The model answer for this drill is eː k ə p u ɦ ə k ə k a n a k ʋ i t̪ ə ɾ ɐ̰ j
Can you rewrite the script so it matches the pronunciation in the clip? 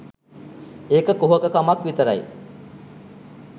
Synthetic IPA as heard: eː k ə k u ɦ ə k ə k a m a k ʋ i t̪ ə ɾ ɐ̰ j